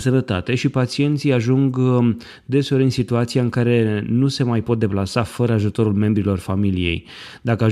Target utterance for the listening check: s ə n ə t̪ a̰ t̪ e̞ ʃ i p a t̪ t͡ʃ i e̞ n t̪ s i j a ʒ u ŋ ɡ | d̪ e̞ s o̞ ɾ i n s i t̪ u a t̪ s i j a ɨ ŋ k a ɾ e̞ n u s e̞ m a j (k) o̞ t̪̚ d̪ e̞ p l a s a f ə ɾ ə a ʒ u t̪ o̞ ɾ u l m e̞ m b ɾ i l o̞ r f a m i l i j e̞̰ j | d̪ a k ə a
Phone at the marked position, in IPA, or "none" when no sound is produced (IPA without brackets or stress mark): p